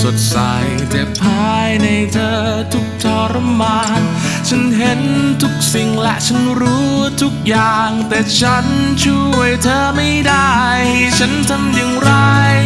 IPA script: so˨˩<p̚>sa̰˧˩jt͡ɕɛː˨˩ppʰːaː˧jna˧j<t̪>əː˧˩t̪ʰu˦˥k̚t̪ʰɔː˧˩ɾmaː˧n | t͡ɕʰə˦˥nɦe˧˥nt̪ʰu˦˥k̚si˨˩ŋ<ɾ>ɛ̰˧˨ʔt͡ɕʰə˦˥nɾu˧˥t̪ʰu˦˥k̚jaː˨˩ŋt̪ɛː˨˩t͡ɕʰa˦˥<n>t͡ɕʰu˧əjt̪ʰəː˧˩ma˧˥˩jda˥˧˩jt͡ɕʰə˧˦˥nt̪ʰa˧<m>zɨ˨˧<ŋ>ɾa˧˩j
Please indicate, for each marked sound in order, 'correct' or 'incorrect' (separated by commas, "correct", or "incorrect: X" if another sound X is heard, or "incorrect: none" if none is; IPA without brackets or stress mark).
incorrect: t̚, incorrect: t̪ʰ, incorrect: l, correct, correct, correct